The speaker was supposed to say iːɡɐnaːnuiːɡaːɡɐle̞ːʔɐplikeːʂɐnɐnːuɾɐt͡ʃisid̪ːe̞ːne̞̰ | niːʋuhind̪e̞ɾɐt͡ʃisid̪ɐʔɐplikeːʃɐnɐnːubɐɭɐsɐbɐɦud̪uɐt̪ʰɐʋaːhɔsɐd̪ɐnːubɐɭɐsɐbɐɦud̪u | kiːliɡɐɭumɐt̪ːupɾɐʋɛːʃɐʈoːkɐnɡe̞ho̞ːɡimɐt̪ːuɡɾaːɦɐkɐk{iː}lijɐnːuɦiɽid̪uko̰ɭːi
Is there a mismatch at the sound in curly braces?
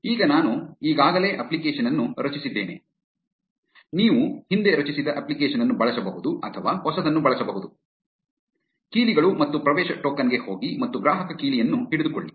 no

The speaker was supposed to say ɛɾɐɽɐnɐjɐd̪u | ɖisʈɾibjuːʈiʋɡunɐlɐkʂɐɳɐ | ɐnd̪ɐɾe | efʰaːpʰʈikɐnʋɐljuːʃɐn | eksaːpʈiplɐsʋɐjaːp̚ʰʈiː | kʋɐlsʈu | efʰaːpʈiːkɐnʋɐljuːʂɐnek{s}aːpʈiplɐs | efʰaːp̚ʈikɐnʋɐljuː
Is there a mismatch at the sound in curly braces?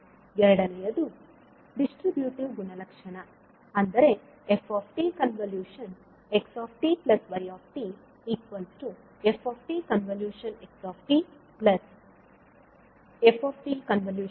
no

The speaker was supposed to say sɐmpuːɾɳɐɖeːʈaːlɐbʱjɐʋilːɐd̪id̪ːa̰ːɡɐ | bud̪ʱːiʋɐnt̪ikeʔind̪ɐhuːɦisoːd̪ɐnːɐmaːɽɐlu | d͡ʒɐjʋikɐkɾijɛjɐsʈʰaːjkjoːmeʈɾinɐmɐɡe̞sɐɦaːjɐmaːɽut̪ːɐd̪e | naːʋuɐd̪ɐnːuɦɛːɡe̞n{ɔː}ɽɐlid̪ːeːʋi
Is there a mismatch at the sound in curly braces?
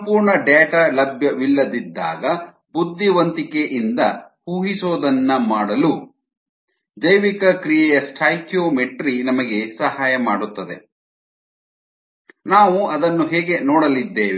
no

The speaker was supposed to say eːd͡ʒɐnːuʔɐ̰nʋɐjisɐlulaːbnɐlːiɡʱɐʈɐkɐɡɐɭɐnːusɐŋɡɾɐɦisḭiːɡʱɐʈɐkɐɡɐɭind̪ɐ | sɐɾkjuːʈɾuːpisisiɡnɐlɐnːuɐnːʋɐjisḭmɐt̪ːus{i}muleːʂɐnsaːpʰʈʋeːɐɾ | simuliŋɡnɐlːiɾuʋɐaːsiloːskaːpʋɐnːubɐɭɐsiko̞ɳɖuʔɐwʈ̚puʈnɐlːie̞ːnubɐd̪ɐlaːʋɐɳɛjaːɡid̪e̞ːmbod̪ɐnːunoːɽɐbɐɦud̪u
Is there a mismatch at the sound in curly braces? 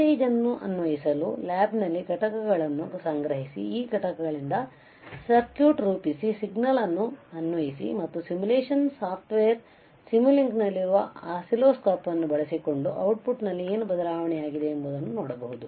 no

